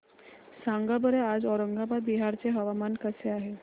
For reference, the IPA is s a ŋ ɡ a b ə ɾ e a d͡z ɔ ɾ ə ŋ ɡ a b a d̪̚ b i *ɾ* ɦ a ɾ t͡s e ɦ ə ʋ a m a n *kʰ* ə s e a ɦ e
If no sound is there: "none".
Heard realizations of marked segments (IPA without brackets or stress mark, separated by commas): none, k